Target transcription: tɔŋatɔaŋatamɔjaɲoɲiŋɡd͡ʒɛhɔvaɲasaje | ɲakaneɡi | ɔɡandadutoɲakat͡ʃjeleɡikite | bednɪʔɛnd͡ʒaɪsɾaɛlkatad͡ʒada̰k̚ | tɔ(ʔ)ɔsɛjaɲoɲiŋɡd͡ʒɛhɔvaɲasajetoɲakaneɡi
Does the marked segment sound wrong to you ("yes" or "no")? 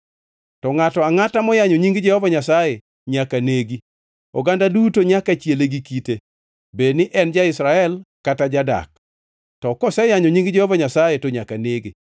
yes